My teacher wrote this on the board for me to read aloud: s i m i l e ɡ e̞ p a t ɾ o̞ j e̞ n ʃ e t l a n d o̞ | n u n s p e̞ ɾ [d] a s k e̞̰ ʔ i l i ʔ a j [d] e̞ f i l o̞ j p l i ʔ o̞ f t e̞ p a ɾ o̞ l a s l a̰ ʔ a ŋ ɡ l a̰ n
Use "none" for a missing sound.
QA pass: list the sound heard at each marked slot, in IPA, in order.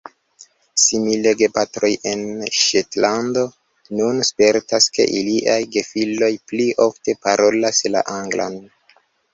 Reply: t, ɡ

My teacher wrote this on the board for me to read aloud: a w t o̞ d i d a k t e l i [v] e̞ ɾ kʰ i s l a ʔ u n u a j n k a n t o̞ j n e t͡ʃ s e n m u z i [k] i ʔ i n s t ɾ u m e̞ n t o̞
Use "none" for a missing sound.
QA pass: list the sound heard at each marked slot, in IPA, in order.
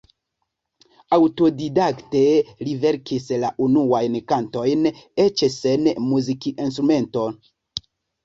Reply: v, k

